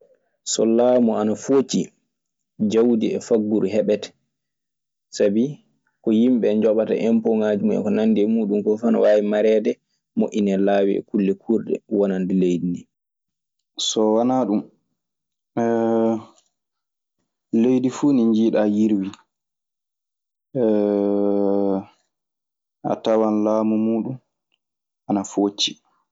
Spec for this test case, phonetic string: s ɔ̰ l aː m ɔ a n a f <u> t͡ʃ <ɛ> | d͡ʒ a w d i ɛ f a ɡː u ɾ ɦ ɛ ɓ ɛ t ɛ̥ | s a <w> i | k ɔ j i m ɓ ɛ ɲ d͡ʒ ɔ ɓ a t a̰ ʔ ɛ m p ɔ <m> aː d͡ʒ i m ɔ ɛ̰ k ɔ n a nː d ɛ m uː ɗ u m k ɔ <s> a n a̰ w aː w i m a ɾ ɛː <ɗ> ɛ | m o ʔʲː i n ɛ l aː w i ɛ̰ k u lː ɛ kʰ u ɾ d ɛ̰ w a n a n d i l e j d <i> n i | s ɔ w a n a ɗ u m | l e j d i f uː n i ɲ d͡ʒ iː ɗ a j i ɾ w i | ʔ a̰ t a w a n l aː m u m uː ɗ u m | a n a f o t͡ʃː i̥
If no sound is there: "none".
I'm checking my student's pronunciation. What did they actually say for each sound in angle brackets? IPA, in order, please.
o, i, b, ŋ, f, d, i

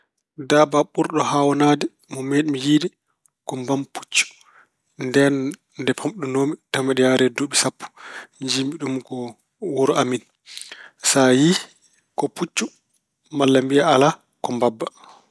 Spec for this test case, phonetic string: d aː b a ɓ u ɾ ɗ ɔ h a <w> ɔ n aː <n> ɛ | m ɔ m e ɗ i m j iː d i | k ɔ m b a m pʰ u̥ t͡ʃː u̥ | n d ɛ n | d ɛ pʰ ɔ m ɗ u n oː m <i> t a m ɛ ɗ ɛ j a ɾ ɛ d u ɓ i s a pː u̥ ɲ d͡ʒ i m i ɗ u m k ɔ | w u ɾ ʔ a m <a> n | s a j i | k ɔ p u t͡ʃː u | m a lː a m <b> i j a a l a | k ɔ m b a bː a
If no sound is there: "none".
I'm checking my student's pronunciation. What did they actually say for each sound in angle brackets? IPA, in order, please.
w, d, i, i, b

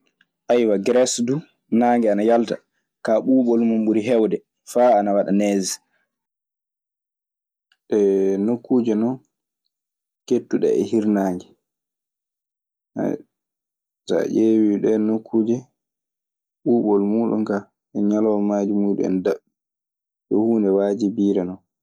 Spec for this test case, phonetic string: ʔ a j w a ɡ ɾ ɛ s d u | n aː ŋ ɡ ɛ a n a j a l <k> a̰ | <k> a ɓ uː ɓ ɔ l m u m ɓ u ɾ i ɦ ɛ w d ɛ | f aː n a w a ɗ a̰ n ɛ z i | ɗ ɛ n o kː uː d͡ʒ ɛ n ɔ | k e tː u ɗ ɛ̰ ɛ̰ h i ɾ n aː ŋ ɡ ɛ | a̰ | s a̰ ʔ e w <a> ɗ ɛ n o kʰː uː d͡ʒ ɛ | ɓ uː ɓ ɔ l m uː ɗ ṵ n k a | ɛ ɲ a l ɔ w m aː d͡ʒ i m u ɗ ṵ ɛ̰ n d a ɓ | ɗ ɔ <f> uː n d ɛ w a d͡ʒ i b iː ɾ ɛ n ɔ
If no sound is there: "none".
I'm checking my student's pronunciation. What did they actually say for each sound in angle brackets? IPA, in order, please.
t, k, i, h

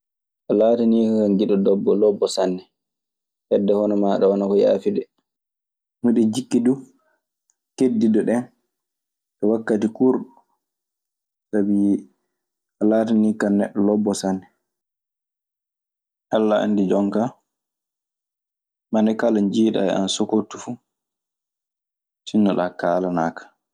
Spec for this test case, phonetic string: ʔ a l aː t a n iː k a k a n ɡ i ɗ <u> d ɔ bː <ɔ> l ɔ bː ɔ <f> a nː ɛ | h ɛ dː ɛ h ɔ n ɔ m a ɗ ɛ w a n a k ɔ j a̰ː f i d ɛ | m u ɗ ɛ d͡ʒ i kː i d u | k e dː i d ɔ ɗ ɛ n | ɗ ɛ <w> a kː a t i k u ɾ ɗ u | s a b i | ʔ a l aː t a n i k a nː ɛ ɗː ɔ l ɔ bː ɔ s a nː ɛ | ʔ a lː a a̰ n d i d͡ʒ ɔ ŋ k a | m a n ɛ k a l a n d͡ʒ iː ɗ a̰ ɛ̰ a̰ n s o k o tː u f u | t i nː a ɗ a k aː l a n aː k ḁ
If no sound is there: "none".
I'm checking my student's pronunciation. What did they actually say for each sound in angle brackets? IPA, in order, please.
ɔ, ɔ, s, w

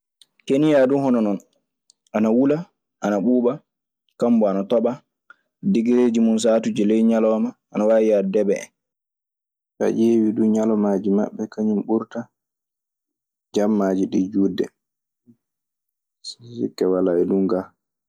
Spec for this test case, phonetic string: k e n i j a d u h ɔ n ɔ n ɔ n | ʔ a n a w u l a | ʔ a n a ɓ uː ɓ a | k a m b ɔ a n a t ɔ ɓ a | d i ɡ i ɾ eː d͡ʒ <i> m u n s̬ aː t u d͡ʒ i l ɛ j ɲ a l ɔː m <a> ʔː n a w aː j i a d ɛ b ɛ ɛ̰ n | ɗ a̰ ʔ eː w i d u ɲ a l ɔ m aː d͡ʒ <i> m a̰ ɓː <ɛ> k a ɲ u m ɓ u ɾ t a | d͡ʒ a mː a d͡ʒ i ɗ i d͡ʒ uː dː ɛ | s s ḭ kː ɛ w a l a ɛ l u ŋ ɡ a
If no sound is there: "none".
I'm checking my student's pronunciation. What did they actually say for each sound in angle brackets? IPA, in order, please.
i, a, i, ɛ

